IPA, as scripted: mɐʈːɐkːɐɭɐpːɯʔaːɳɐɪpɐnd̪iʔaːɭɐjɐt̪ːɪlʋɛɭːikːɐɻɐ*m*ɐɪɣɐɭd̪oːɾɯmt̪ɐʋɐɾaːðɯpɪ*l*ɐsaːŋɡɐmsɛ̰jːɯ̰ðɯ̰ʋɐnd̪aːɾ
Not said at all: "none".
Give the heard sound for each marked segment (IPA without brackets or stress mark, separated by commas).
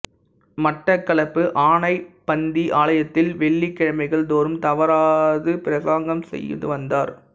m, ɾ